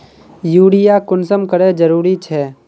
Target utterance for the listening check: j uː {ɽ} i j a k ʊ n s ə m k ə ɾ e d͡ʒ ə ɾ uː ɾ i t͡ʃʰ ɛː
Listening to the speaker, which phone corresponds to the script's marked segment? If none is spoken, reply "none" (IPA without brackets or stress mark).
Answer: ɽ